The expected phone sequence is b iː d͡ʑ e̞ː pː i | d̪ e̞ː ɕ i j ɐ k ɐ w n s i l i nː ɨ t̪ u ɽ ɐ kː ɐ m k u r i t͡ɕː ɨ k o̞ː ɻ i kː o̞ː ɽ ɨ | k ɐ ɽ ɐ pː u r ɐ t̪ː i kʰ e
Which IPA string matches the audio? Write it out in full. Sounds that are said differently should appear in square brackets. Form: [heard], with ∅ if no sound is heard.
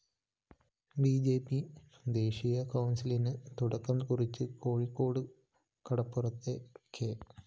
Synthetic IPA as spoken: b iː d͡ʑ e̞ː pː i | d̪ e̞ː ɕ i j ɐ k ɐ w n s i l i [n] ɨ t̪ u ɽ ɐ kː ɐ m k u r i t͡ɕː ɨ k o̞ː ɻ i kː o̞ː ɽ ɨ | k ɐ ɽ ɐ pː u r ɐ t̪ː [e] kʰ e